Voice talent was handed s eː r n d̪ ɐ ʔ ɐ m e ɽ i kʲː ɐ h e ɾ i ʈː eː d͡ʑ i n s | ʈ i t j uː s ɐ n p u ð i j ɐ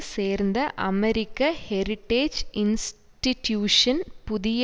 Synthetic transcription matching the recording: s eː r n d̪ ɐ ʔ ɐ m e ɾ i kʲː ɐ h e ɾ i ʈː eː d͡ʑ i n s | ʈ i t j uː ʂ ɐ n p u ð i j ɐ

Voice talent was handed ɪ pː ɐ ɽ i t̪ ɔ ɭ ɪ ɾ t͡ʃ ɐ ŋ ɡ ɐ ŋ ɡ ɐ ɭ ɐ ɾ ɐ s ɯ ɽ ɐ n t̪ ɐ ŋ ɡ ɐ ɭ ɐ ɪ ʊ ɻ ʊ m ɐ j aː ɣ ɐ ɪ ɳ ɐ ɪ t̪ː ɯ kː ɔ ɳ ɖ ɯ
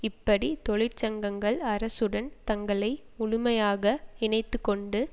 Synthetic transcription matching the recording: ɪ pː ɐ ɽ i t̪ ɔ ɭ ɪ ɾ t͡ʃ ɐ ŋ ɡ ɐ ŋ ɡ ɐ ɭ ɐ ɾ ɐ s ɯ ɽ ɐ n t̪ ɐ ŋ ɡ ɐ ɭ ɐ ɪ ʊ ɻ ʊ m ɐ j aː ɣ ɐ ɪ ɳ ɐ ɪ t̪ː ɯ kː ɔ ɳ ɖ ɯ

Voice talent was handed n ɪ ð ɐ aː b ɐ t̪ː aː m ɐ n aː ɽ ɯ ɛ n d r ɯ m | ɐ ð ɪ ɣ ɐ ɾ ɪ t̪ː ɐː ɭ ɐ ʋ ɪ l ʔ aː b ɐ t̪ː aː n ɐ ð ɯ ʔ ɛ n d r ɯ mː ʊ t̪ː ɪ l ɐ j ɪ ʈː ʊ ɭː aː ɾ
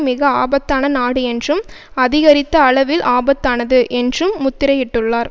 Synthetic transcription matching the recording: m ɪ ɣ ɐ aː b ɐ t̪ː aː n ɐ n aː ɽ ɯ ɛ n d r ɯ m | ɐ ð ɪ ɣ ɐ ɾ ɪ t̪ː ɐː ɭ ɐ ʋ ɪ l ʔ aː b ɐ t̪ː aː n ɐ ð ɯ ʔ ɛ n d r ɯ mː ʊ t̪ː ɪ ɾ ɐ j ɪ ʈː ɯ ɭː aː ɾ

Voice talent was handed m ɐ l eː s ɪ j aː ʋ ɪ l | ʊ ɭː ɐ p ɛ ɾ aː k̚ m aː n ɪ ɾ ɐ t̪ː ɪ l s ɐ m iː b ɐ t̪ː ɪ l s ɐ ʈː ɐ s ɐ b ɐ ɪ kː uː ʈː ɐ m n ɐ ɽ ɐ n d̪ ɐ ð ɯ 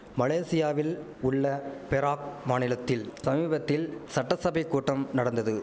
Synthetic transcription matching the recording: m ɐ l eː s ɪ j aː ʋ ɪ l | ʊ ɭː ɐ p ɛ ɾ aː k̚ m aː n ɪ l ɐ t̪ː ɪ l s ɐ m iː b ɐ t̪ː ɪ l s ɐ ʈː ɐ s ɐ b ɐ ɪ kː uː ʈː ɐ m n ɐ ɽ ɐ n d̪ ɐ ð ɯ

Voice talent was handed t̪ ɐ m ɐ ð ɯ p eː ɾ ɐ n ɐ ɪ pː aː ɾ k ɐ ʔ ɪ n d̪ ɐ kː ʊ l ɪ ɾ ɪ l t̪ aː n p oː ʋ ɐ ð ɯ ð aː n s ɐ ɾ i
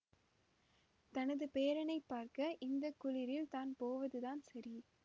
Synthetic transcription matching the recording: t̪ ɐ n ɐ ð ɯ p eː ɾ ɐ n ɐ ɪ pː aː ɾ k ɐ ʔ ɪ n d̪ ɐ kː ʊ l ɪ ɾ ɪ l t̪ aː n p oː ʋ ɐ ð ɯ ð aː n s ɐ ɾ i

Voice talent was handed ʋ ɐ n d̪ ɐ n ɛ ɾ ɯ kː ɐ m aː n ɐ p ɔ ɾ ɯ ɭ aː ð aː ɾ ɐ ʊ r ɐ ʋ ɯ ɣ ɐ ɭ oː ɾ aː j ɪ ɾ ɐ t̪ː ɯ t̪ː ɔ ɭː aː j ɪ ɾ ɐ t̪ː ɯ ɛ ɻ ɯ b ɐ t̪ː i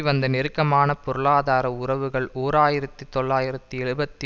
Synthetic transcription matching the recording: ʋ ɐ n d̪ ɐ n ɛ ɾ ɯ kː ɐ m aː n ɐ p ɔ ɾ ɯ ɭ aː ð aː ɾ ɐ ʊ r ɐ ʋ ɯ ɣ ɐ ɭ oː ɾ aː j ɪ ɾ ɐ t̪ː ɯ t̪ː ɔ ɭː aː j ɪ ɾ ɐ t̪ː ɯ ɛ ɻ ɯ b ɐ t̪ː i

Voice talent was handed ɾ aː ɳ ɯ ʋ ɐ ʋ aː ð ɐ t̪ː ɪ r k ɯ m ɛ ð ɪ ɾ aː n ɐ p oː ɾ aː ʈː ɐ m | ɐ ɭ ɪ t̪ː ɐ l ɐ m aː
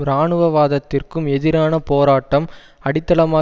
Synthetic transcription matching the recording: ɾ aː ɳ ɯ ʋ ɐ ʋ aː ð ɐ t̪ː ɪ r k ɯ m ɛ ð ɪ ɾ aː n ɐ p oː ɾ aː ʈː ɐ m | ɐ ɽ ɪ t̪ː ɐ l ɐ m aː

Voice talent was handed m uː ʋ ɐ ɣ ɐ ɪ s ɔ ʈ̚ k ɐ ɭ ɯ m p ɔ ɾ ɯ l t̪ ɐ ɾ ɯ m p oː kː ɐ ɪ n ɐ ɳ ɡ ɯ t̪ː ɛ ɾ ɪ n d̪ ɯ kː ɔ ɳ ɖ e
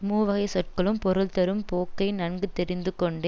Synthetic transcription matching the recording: m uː ʋ ɐ ɣ ɐ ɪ s ɔ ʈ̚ k ɐ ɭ ɯ m p ɔ ɾ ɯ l t̪ ɐ ɾ ɯ m p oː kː ɐ ɪ n ɐ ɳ ɡ ɯ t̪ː ɛ ɾ ɪ n d̪ ɯ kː ɔ ɳ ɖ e

